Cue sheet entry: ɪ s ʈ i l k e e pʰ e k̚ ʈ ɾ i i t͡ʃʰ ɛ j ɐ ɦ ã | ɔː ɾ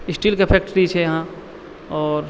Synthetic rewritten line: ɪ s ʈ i l k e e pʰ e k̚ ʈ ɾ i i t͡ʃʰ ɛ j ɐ ɦ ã | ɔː ɾ